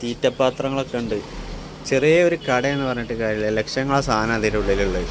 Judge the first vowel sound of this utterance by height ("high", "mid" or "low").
high